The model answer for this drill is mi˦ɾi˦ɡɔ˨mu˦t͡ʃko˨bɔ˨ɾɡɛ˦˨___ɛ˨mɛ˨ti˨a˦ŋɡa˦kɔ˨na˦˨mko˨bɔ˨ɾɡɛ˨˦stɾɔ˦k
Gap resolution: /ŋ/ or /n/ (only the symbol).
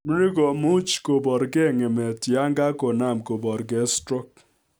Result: ŋ